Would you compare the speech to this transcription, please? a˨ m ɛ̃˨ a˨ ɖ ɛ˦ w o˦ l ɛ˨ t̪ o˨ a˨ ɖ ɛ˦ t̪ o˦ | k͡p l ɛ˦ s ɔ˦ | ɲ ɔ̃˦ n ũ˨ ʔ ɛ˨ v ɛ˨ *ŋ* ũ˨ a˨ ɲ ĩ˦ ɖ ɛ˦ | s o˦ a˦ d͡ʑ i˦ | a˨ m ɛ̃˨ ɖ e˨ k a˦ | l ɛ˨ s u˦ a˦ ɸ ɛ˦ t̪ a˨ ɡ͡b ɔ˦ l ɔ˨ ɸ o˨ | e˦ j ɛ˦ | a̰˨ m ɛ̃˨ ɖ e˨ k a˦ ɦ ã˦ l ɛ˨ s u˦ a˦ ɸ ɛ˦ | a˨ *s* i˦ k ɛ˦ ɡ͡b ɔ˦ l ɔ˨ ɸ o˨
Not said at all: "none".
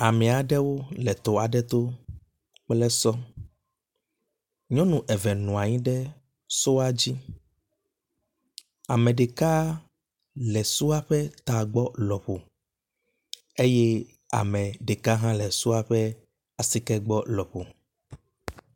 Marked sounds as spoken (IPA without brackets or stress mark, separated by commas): n, s